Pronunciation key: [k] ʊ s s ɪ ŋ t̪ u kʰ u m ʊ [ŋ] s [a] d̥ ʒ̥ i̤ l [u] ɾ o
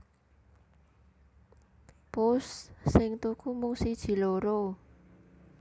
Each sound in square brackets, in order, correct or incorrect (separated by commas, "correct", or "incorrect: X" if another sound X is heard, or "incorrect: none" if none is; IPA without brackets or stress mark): incorrect: p, correct, incorrect: i, incorrect: o